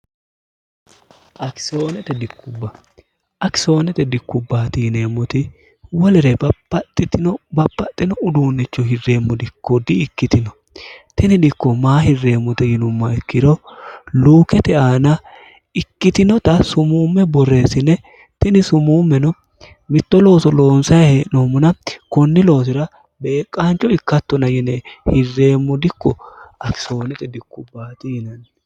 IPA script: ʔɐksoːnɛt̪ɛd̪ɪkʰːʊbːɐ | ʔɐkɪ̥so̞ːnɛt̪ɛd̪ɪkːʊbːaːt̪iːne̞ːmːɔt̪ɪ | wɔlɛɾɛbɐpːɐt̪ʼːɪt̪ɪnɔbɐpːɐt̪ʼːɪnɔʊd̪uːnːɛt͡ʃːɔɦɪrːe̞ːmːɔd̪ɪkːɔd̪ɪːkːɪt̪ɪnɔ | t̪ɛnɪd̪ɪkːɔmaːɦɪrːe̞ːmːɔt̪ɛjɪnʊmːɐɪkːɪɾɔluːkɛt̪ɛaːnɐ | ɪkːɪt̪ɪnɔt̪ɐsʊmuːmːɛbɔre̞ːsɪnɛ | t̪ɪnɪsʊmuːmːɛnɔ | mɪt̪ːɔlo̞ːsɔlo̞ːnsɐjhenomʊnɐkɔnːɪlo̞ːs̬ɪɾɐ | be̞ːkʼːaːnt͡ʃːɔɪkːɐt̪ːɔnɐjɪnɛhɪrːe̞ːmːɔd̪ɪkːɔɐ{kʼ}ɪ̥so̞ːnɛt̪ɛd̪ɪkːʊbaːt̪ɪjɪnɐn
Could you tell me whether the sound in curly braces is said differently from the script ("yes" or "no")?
yes